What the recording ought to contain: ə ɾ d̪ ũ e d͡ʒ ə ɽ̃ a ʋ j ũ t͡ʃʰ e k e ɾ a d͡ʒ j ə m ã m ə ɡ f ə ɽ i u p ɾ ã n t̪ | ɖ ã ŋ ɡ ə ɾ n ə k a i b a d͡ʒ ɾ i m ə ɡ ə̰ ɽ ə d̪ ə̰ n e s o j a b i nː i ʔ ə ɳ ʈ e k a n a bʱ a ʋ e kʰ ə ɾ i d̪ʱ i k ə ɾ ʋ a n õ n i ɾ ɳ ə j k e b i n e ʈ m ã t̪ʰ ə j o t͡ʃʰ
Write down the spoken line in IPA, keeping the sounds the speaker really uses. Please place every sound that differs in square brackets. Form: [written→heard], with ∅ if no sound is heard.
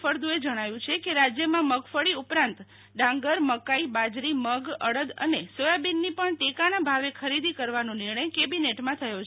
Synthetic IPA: ə ɾ d̪ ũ e d͡ʒ ə ɽ̃ a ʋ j ũ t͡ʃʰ e k e ɾ a d͡ʒ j ə m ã m ə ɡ f ə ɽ i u p ɾ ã n t̪ | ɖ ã ŋ ɡ ə ɾ [n→m] ə k a i b a d͡ʒ ɾ i m ə ɡ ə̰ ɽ ə d̪ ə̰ n e s o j a b i nː i [ʔ→p] ə ɳ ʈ e k a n a bʱ a ʋ e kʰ ə ɾ i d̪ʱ i k ə ɾ ʋ a n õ n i ɾ ɳ ə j k e b i n e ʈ m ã t̪ʰ ə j o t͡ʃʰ